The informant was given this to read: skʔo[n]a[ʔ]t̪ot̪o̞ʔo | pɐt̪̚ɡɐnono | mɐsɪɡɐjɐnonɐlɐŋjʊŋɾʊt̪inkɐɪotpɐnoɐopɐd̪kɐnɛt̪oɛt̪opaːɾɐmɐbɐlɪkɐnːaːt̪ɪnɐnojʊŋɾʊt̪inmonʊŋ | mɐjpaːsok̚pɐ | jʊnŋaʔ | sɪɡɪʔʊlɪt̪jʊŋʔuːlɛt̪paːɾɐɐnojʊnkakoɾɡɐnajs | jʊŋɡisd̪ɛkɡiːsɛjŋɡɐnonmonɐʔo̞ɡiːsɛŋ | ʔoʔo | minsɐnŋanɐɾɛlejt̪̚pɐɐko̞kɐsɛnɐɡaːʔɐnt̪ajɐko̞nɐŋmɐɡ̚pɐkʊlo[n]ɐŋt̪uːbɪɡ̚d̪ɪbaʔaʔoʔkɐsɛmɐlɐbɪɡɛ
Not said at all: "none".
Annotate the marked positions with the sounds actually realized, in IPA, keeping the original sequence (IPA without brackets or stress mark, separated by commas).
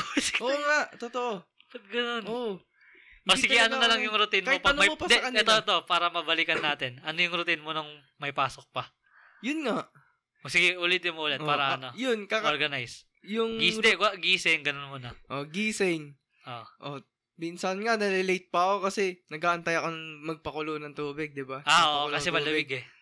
ŋ, ʔ, n